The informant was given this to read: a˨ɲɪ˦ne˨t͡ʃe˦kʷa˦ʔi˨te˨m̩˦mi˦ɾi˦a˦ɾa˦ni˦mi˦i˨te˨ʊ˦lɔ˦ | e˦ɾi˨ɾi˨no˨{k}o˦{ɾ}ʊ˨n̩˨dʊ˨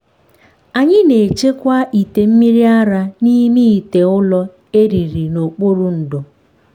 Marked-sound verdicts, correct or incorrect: incorrect, correct

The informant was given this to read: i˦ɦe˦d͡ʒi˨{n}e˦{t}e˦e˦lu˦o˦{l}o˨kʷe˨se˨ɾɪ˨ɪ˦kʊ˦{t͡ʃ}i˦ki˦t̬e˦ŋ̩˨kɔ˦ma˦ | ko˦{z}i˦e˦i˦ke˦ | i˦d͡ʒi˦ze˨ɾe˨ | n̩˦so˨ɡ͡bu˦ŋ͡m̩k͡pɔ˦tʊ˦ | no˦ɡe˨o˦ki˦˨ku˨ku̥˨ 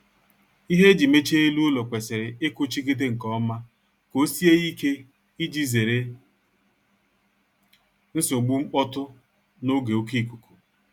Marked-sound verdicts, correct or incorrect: incorrect, incorrect, correct, correct, incorrect

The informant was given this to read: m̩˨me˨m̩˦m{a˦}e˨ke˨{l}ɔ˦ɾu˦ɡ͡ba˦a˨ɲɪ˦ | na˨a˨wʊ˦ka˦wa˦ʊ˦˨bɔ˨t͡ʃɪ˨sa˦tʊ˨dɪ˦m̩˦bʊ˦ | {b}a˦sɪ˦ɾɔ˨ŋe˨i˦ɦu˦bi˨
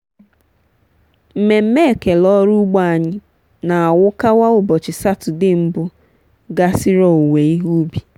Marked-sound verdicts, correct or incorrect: incorrect, correct, incorrect

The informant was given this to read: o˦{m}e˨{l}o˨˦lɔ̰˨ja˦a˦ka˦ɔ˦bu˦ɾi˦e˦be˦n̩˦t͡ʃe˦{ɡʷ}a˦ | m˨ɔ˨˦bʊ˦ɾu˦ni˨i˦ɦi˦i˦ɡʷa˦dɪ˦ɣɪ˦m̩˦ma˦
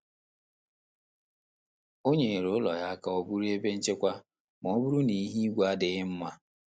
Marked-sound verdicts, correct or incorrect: incorrect, incorrect, incorrect

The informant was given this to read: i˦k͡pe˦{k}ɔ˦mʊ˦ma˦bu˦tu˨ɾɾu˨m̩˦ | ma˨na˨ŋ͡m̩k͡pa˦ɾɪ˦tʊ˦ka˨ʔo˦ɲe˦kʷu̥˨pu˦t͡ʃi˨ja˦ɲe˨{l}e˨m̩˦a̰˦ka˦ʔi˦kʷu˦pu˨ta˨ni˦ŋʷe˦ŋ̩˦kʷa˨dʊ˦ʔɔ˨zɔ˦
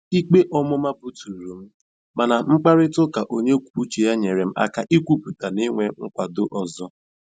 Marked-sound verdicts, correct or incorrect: incorrect, incorrect

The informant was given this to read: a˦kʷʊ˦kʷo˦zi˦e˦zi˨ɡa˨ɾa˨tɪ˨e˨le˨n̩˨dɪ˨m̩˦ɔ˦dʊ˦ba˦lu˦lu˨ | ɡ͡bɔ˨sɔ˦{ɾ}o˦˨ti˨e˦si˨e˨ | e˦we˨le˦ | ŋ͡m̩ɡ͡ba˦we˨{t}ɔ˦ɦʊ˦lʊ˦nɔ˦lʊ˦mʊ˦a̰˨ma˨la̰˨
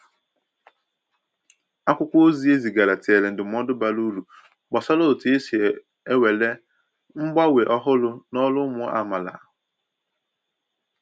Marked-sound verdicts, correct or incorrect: incorrect, incorrect

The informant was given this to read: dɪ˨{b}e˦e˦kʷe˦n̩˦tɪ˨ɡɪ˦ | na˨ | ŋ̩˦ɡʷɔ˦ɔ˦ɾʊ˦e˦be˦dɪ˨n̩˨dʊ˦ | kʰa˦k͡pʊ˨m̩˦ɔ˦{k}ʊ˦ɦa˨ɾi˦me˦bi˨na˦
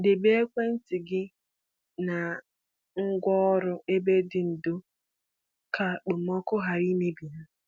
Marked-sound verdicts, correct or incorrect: correct, correct

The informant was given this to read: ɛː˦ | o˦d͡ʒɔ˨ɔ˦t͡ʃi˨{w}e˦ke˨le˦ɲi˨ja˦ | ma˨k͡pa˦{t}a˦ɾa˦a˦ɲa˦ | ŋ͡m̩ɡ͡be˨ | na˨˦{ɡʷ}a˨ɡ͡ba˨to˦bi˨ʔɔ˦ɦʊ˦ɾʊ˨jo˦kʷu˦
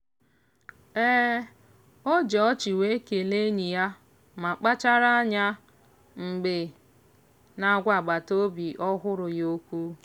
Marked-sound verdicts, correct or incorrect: correct, incorrect, correct

